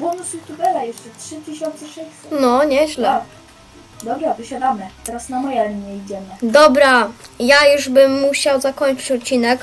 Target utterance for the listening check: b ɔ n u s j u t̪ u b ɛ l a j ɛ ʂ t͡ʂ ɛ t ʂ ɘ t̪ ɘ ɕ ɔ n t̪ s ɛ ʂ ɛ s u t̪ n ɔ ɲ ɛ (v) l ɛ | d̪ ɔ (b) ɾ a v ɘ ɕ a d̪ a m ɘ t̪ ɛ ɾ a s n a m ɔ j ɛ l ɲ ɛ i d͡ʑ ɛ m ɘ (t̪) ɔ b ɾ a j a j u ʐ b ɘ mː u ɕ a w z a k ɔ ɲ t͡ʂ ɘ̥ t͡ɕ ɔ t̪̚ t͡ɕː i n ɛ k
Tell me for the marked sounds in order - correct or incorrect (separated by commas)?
incorrect, correct, incorrect